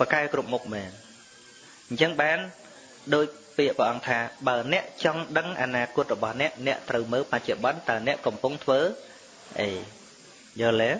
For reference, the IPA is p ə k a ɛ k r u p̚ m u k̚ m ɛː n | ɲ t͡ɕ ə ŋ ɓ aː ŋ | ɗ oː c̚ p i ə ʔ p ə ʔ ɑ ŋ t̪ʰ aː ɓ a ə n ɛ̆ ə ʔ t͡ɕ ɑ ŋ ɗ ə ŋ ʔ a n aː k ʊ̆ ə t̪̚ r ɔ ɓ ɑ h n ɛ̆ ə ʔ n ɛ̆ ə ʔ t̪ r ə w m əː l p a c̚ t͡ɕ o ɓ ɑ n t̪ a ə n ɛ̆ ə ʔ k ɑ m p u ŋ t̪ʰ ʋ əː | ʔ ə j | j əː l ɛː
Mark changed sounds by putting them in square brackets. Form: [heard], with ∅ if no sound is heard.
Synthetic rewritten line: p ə k a ɛ k r u p̚ m u k̚ m ɛː n | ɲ t͡ɕ ə ŋ ɓ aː [n] | ɗ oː c̚ p i ə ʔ p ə ʔ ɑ ŋ t̪ʰ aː ɓ a ə n ɛ̆ ə ʔ t͡ɕ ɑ ŋ ɗ ə ŋ ʔ a n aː k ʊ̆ ə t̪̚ r ɔ ɓ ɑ h n ɛ̆ ə ʔ n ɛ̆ ə ʔ t̪ r ə w m əː l p a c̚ t͡ɕ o ɓ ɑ n t̪ a ə n ɛ̆ ə ʔ k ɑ m p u ŋ t̪ʰ ʋ əː | ʔ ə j | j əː l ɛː